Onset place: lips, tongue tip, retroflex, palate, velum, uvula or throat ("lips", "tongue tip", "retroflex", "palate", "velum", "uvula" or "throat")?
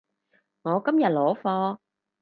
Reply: velum